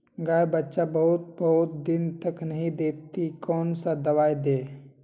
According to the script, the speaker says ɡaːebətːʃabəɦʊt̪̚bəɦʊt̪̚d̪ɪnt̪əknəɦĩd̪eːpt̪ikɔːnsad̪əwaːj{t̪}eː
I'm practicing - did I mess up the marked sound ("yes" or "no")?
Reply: yes